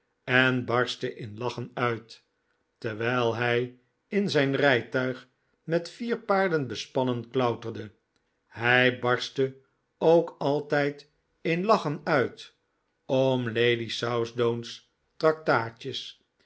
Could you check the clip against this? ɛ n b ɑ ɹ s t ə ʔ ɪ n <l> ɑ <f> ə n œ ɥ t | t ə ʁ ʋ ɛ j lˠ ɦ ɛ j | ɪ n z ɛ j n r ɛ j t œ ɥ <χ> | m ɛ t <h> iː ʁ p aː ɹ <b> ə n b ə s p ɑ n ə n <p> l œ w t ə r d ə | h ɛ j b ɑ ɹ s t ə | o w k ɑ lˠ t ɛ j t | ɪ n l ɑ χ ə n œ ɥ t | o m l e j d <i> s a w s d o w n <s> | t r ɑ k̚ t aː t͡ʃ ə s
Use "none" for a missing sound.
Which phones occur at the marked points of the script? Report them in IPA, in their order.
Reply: l, χ, χ, f, d, k, i, s

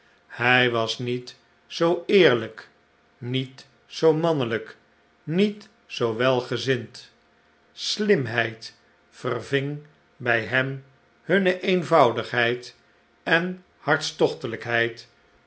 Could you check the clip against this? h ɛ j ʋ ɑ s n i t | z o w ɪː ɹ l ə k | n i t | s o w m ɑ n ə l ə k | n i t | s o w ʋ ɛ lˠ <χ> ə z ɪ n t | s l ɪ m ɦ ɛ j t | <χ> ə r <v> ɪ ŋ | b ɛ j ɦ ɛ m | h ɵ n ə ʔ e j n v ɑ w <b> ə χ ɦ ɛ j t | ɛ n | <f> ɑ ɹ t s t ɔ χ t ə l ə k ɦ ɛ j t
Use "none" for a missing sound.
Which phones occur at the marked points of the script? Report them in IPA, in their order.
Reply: χ, f, v, d, h

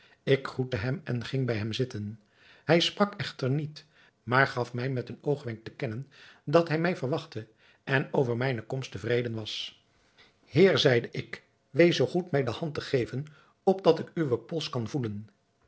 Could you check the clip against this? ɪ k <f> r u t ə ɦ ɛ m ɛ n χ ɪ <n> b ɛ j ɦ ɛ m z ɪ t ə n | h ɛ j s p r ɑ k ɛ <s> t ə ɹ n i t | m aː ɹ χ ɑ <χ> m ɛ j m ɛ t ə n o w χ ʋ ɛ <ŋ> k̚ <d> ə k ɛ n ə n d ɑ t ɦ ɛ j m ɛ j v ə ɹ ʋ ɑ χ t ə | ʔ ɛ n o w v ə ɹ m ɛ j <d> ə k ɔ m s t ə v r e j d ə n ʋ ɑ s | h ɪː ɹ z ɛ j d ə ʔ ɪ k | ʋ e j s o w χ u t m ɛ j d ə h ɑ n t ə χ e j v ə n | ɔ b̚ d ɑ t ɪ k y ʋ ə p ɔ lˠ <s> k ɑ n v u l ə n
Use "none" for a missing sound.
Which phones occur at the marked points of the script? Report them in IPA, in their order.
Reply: χ, ŋ, χ, f, ŋ, t, n, s

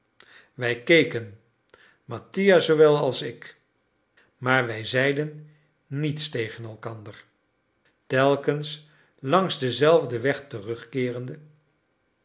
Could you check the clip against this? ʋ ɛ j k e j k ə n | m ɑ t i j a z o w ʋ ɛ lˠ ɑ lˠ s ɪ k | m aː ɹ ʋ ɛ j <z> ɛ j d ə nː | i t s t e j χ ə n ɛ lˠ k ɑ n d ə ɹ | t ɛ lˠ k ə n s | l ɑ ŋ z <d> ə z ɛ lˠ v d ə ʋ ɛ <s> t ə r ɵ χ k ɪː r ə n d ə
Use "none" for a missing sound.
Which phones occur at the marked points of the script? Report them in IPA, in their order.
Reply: z, d, χ

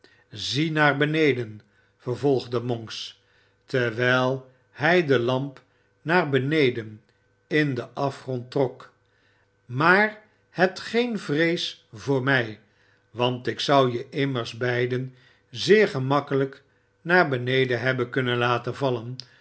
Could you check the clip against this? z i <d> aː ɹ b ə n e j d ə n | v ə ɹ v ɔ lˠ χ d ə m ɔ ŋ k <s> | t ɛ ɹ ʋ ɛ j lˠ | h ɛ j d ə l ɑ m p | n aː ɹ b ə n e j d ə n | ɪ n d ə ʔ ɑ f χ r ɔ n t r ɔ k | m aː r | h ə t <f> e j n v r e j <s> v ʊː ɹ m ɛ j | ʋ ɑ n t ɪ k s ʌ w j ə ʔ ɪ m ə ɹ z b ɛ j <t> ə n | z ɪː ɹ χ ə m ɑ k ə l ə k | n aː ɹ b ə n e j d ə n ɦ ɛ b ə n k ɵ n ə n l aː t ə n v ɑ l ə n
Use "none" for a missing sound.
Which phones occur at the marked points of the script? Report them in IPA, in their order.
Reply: n, s, χ, s, d

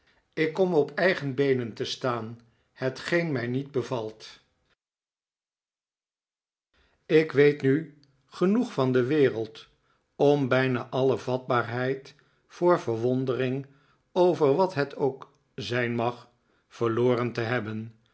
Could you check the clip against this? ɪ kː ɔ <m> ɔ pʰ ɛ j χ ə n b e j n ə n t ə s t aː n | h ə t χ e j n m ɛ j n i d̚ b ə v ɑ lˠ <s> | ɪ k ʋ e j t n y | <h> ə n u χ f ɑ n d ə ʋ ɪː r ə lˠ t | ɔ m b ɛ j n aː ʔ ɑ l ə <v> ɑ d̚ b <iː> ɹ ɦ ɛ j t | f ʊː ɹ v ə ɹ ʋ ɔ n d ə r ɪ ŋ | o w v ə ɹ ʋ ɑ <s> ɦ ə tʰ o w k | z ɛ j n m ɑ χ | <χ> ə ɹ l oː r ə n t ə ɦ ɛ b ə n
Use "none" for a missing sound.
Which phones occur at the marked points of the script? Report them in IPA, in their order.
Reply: m, t, χ, v, aː, t, f

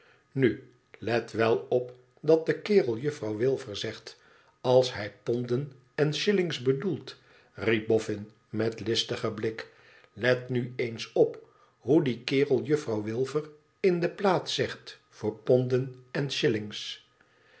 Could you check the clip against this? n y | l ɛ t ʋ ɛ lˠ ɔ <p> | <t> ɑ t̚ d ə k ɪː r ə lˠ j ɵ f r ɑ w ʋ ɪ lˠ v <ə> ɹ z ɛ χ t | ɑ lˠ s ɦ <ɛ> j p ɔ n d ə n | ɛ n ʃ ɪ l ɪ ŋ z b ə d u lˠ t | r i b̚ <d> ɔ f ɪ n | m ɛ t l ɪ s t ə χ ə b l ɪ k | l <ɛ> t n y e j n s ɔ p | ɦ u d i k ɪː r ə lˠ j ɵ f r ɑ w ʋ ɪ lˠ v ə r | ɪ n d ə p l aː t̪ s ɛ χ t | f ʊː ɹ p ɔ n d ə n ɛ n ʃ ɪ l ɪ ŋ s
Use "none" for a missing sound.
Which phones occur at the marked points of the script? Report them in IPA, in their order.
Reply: p, d, ə, ɛ, b, ɛ

